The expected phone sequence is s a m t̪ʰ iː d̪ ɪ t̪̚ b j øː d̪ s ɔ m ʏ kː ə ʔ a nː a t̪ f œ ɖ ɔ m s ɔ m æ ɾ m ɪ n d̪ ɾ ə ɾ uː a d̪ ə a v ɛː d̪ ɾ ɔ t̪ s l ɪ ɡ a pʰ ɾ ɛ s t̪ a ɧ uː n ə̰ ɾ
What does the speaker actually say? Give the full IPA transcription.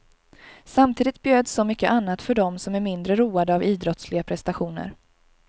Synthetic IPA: s a m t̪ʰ iː d̪ ɪ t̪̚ b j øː d̪ s ɔ m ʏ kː ə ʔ a nː a t̪ f œ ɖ ɔ m s ɔ m æ ɾ m ɪ n d̪ ɾ ə ɾ uː a d̪ ə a v iː d̪ ɾ ɔ t̪ s l ɪ ɡ a pʰ ɾ ɛ s t̪ a ɧ uː n ə̰ ɾ

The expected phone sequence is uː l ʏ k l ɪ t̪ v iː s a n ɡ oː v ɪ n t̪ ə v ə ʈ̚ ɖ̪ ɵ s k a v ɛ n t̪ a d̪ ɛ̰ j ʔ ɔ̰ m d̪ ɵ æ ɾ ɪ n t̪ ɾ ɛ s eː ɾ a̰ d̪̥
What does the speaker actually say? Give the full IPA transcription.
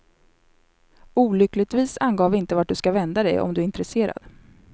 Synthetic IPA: uː l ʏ k l ɪ t̪ v iː s a n ɡ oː v ɪ n t̪ ə v a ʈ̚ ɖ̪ ɵ s k a v ɛ n d̪ a d̪ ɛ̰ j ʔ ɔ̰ m d̪ ɵ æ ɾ ɪ n t̪ ɾ ɛ s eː ɾ a̰ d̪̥

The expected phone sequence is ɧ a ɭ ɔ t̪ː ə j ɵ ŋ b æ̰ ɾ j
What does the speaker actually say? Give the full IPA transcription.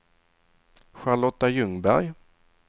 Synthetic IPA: ɧ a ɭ ɔ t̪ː a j ɵ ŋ b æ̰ ɾ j

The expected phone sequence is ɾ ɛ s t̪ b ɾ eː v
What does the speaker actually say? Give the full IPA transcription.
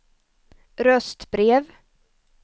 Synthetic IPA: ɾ œ s t̪ b ɾ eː v

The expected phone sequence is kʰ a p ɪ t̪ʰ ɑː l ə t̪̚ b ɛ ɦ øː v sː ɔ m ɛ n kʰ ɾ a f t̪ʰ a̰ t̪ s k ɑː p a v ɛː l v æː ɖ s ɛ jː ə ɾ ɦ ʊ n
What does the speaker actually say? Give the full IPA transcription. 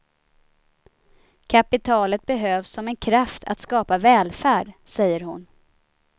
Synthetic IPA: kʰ a p ɪ t̪ʰ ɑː l ə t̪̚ b ɛ ɦ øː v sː ɔ m ɛ n kʰ ɾ a f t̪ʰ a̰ t̪ s k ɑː p a v ɛː l f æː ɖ s ɛ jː ə ɾ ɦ ʊ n

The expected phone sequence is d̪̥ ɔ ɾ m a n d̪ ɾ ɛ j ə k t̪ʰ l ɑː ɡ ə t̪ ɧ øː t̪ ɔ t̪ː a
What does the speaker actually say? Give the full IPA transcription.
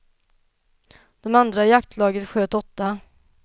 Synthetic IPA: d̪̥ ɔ m a n d̪ ɾ a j a k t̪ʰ l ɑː ɡ ə t̪ ɧ øː t̪ ɔ t̪ː a

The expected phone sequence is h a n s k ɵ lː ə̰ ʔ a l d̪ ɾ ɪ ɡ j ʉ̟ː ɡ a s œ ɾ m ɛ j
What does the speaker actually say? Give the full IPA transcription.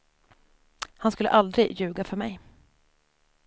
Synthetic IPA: h a n s k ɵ lː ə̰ ʔ a l d̪ ɾ ɪ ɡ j ʉ̟ː ɡ a f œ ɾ m ɛ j

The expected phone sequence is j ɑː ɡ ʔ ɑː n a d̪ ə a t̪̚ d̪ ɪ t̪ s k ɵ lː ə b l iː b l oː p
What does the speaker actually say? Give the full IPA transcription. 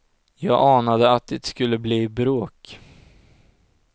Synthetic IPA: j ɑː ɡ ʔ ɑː n a d̪ ə a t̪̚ d̪ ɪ t̪ s k ɵ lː ə b l iː b ɾ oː k

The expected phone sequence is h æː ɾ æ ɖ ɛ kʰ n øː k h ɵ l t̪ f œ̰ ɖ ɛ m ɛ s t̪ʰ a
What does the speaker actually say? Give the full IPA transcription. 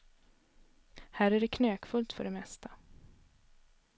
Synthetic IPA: h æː ɾ æ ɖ ɛ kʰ n øː k f ɵ l t̪ f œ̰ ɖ ɛ m ɛ s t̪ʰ a

